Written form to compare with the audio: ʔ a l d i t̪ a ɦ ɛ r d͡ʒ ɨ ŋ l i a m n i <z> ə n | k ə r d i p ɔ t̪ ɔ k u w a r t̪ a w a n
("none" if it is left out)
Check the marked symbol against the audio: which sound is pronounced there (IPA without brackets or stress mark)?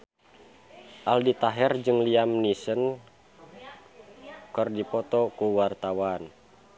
s